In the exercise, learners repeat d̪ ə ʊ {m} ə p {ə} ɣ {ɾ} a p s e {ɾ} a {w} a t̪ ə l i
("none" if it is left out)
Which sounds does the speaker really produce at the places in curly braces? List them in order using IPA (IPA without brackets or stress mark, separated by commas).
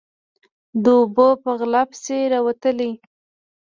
b, ə, l, ɾ, w